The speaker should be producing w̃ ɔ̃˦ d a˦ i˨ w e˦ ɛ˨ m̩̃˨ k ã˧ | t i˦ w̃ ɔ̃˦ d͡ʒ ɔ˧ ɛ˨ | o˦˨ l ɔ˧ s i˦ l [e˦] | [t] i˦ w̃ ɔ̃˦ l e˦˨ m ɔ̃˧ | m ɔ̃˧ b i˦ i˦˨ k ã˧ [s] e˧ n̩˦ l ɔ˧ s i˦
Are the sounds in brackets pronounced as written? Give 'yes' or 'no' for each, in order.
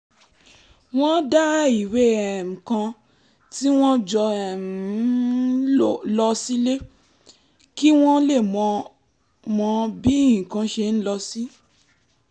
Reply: yes, no, no

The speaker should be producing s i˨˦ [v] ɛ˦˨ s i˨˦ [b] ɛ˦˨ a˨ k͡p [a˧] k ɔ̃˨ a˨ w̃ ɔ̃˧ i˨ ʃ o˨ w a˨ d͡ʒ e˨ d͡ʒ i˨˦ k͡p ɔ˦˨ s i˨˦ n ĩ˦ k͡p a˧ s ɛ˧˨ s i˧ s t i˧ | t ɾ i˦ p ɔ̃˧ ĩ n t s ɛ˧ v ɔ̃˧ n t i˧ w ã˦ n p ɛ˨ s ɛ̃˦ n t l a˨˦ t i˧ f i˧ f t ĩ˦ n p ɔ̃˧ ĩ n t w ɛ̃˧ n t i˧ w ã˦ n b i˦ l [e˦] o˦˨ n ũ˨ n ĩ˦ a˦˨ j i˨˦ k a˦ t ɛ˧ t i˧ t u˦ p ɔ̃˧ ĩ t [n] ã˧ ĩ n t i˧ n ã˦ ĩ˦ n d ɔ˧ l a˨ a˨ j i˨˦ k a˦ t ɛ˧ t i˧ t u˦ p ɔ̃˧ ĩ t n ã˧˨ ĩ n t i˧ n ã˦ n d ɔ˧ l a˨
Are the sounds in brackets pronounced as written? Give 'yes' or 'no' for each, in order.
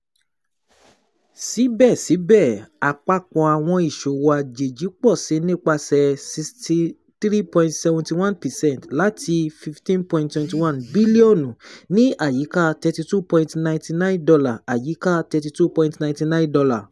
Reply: no, yes, yes, no, yes

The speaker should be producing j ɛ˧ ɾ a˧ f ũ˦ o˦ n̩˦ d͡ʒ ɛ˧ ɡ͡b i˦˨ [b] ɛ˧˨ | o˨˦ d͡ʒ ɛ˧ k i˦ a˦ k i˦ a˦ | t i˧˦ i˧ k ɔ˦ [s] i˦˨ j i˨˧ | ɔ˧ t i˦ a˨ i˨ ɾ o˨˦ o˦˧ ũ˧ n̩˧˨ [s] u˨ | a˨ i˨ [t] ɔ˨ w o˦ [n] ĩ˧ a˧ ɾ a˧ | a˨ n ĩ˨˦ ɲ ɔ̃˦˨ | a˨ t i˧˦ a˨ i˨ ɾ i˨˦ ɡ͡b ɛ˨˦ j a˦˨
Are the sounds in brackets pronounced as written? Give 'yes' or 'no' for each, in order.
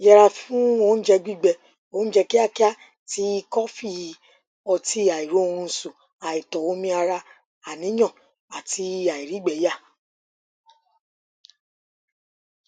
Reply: no, no, yes, yes, no

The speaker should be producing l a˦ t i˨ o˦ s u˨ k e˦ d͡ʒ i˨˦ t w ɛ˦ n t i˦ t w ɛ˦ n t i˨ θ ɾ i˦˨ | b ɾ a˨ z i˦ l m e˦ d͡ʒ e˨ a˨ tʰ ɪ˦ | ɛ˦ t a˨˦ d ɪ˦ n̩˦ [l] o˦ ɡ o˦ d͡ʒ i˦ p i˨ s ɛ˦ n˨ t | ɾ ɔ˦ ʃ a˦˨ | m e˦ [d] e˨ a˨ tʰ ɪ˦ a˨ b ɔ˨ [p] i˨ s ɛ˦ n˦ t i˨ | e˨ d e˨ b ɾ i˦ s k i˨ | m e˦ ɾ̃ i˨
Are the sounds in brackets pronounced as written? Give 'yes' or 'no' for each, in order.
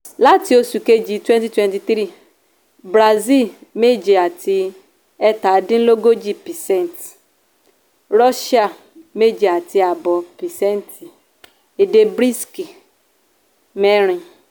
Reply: yes, no, yes

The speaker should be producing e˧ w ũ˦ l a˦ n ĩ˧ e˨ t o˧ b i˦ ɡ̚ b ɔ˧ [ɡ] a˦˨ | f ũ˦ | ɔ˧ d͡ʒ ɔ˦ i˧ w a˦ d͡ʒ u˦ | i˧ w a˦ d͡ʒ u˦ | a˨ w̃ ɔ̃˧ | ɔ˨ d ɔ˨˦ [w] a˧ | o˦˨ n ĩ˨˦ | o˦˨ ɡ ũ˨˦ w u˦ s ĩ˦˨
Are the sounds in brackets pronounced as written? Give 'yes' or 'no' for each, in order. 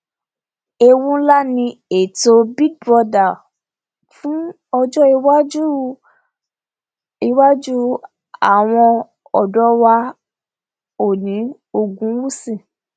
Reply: no, yes

